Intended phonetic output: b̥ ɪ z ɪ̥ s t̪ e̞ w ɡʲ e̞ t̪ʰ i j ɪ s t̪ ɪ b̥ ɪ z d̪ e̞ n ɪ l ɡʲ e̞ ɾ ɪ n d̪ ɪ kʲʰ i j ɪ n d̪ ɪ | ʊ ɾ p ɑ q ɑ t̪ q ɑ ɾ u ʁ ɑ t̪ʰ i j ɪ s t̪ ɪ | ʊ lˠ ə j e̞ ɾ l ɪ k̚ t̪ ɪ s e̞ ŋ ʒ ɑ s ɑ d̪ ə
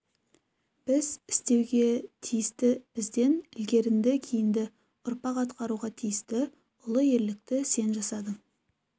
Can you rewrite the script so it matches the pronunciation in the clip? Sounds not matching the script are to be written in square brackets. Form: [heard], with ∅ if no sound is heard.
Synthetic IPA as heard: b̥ ɪ z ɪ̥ s t̪ e̞ w ɡʲ e̞ t̪ʰ i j ɪ s t̪ ɪ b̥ ɪ z d̪ e̞ n ɪ l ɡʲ e̞ ɾ ɪ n d̪ ɪ kʲʰ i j ɪ n d̪ ɪ | ʊ ɾ p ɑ q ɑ t̪ q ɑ ɾ u ʁ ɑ t̪ʰ i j ɪ s t̪ ɪ | ʊ lˠ ə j e̞ ɾ l ɪ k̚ t̪ ɪ s e̞ [n] ʒ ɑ s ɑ d̪ ə